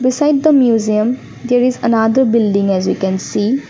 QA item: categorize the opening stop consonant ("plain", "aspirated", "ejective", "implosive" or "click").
plain